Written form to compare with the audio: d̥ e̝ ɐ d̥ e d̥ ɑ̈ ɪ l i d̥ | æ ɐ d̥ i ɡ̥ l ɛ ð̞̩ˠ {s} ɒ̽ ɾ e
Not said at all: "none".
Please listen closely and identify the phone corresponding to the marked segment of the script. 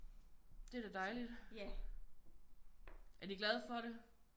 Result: f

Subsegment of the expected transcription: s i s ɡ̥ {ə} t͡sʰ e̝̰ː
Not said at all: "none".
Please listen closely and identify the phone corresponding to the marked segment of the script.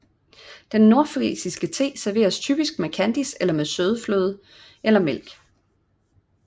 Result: ə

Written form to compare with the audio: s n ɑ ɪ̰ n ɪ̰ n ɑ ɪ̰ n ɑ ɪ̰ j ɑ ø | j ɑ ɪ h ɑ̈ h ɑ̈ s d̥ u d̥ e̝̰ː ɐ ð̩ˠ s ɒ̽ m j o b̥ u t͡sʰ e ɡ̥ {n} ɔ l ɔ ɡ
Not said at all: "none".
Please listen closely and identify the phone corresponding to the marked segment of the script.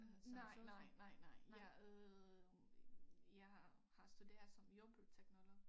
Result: n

